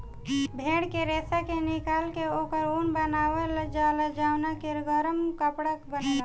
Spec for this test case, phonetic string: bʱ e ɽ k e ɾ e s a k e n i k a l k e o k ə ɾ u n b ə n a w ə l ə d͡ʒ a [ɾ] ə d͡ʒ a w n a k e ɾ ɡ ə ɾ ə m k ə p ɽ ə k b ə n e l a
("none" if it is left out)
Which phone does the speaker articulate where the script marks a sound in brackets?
l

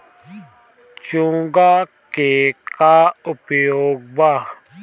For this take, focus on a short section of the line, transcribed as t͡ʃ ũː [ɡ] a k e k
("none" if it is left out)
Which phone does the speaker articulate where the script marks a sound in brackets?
ɡ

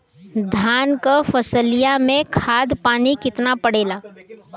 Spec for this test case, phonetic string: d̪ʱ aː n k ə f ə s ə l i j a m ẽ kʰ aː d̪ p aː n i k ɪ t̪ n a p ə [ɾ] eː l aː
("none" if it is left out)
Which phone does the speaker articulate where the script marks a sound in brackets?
ɽ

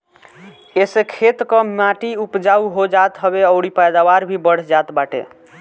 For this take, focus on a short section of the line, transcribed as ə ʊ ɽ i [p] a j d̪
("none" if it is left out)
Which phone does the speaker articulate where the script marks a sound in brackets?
p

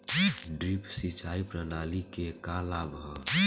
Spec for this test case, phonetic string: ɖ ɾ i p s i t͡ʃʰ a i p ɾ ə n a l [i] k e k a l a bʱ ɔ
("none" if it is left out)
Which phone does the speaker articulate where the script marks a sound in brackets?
i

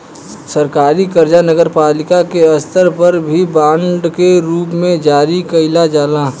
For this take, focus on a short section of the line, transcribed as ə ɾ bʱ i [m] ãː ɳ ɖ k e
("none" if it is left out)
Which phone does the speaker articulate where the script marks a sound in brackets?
b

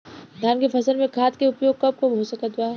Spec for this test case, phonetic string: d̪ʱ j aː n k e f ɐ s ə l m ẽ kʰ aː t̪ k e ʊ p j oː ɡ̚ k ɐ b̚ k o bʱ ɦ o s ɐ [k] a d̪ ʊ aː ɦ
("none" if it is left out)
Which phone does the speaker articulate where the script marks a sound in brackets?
k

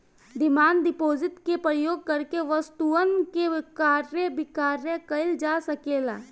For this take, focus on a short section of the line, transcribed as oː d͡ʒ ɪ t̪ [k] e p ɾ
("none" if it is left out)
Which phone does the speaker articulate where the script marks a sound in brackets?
k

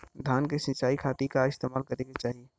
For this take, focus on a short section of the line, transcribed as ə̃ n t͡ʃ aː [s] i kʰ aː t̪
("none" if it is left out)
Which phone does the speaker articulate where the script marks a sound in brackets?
none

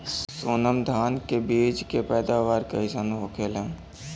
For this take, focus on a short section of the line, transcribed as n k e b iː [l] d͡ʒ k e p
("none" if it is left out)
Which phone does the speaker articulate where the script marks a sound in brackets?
none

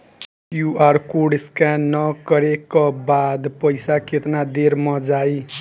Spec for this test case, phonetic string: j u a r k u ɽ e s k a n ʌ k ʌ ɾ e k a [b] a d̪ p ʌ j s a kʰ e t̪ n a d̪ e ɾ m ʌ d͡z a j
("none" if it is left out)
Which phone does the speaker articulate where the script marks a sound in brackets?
b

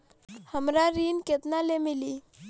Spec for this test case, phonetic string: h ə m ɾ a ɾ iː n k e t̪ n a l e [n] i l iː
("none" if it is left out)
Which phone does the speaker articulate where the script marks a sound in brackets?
m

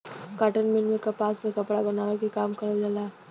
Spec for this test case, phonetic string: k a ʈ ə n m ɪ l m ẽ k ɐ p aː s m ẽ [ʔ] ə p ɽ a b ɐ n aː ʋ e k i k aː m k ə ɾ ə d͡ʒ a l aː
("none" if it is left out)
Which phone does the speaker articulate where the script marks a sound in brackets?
k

